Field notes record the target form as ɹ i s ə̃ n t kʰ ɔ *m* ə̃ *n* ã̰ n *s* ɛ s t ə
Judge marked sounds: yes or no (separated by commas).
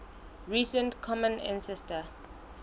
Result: yes, yes, yes